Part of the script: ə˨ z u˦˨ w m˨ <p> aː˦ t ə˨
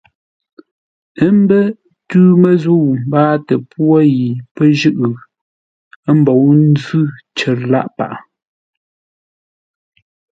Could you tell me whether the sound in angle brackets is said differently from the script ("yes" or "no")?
yes